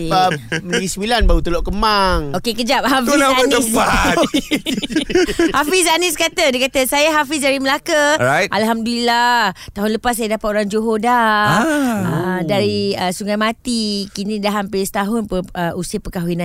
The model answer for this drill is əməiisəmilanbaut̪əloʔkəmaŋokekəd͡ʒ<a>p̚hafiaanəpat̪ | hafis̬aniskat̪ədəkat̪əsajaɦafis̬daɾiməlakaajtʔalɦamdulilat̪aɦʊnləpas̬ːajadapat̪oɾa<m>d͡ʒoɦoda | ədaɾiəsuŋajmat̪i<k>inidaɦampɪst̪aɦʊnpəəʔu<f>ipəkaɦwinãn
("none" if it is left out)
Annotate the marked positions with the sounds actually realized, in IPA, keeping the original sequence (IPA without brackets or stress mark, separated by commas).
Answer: a, ŋ, k, s